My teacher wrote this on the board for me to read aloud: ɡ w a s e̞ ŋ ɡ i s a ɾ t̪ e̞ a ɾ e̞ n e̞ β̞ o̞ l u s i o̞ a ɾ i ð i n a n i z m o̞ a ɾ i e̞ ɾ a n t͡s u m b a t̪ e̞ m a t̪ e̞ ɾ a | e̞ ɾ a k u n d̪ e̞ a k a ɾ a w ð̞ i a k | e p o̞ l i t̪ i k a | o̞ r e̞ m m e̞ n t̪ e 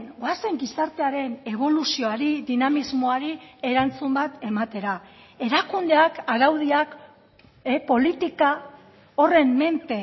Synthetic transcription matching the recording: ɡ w a s e̞ ŋ ɡ i s a ɾ t̪ e̞ a ɾ e̞ n e̞ β̞ o̞ l u s i o̞ a ɾ i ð i n a m i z m o̞ a ɾ i e̞ ɾ a n t͡s u m b a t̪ e̞ m a t̪ e̞ ɾ a | e̞ ɾ a k u n d̪ e̞ a k a ɾ a w ð̞ i a k | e p o̞ l i t̪ i k a | o̞ r e̞ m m e̞ n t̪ e